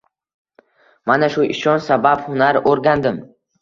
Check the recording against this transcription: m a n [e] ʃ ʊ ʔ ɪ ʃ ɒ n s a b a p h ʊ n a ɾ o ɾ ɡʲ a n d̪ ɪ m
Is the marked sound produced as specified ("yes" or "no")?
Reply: no